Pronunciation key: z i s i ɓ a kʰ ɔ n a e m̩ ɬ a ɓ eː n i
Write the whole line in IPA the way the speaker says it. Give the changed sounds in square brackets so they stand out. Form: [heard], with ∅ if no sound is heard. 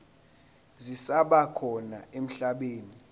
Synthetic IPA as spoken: z i s [a] ɓ a kʰ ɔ n a e m̩ ɬ a ɓ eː n i